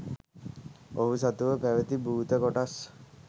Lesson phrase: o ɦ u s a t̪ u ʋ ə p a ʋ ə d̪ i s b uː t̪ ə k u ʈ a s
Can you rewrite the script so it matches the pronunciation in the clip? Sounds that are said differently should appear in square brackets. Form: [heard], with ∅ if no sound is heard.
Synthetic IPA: o ɦ u s a t̪ u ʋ ə p [æ] ʋ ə [t̪] i [∅] b uː t̪ ə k [o] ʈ a s